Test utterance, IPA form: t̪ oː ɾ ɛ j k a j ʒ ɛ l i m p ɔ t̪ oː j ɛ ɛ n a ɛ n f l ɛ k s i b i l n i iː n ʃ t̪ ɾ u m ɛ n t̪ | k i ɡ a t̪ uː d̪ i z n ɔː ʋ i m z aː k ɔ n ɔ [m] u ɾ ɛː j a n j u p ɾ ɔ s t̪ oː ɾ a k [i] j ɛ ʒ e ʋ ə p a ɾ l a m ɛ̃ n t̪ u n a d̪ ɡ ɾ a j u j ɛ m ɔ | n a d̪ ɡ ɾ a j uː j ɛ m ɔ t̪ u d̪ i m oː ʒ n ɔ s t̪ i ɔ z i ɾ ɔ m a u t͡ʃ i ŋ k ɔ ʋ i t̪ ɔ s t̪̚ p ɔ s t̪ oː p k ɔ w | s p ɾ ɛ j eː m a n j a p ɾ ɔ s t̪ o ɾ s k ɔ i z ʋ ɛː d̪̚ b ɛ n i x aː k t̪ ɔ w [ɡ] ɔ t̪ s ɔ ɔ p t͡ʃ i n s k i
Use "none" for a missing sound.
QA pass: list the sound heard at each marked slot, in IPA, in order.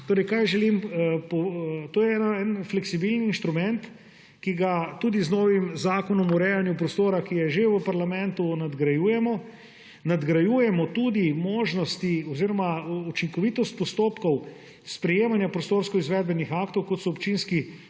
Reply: m, i, k

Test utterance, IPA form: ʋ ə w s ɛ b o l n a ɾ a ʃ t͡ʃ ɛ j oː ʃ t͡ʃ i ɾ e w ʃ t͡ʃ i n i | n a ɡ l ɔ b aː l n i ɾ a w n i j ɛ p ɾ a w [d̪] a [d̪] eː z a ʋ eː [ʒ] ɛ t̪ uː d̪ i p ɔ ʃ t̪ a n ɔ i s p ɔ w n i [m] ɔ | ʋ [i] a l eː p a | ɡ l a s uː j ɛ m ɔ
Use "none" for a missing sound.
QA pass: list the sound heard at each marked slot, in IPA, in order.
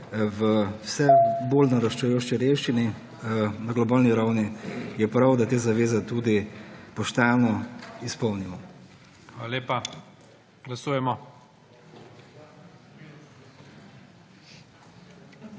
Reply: d̪, t̪, z, m, a

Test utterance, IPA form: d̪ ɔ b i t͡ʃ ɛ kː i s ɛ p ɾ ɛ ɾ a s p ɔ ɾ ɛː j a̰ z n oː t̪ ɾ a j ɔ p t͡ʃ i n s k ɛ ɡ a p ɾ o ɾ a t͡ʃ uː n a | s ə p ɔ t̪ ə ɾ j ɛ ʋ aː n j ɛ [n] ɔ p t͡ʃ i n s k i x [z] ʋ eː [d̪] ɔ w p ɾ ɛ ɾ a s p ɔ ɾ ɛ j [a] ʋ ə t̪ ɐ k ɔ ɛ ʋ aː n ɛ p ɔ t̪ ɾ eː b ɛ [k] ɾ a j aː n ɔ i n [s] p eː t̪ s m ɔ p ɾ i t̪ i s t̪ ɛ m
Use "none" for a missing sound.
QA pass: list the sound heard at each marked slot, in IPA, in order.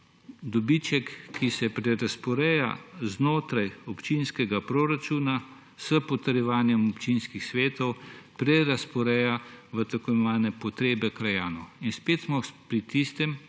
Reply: m, s, t̪, a, k, s

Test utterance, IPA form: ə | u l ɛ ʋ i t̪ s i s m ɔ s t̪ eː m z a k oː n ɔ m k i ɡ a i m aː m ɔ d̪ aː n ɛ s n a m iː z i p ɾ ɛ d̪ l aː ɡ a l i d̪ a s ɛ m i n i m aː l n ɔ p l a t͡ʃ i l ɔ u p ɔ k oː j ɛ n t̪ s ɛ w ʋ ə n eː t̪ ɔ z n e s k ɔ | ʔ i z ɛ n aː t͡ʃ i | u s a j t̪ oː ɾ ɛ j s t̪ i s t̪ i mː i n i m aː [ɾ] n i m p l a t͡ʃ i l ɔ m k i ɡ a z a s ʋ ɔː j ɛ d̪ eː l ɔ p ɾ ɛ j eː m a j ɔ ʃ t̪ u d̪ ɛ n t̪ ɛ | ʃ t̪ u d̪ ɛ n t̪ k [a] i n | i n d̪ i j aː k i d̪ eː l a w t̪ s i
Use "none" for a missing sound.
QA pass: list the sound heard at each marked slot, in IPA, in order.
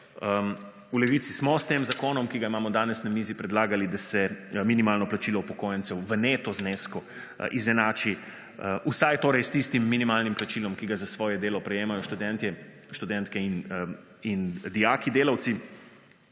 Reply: l, ɛ

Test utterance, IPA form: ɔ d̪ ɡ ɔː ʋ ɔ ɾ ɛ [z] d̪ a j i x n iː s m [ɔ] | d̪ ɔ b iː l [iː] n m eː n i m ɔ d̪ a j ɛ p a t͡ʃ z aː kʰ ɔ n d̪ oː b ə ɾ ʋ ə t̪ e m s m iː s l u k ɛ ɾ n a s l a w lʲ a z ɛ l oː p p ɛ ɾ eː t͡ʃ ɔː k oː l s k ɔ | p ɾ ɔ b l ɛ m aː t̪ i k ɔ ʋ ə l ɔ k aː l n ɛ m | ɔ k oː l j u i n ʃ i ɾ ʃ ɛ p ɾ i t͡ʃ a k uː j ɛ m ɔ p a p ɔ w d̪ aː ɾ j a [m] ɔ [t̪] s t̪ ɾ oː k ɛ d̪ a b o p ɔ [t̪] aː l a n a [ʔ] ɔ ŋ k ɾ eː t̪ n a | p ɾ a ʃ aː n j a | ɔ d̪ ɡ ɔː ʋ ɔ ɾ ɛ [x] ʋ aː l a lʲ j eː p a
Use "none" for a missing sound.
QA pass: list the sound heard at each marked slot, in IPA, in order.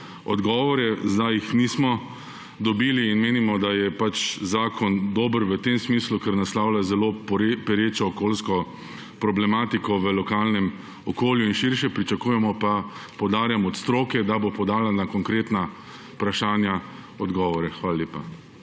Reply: z, ɔ, iː, m, t̪, d̪, k, x

